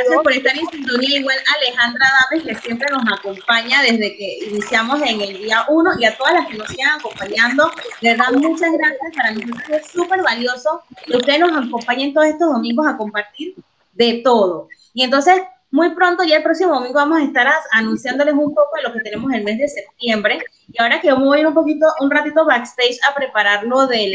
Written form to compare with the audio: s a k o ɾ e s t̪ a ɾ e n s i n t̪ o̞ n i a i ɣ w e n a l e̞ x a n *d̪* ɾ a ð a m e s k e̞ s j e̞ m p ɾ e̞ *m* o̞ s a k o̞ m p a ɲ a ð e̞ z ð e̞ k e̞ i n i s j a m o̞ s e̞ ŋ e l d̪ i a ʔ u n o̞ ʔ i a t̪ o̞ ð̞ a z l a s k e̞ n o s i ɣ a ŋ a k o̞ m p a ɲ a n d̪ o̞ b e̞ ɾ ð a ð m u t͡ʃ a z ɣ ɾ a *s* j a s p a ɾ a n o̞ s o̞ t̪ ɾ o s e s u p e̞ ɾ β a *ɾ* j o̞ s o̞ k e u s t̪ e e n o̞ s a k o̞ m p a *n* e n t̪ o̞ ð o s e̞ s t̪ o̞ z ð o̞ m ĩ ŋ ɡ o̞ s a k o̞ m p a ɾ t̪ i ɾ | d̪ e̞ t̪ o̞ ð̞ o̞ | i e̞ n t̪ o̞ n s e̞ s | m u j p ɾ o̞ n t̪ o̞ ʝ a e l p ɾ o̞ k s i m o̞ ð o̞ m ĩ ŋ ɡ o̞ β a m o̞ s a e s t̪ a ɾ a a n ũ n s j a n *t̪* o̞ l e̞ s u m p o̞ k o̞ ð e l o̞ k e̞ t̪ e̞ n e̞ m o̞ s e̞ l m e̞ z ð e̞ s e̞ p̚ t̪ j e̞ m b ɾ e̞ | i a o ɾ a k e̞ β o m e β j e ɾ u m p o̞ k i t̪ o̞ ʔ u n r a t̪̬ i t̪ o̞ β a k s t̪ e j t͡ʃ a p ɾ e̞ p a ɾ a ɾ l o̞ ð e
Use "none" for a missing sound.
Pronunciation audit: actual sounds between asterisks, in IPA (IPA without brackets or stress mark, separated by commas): d̪, n, s, l, ɲ, d̪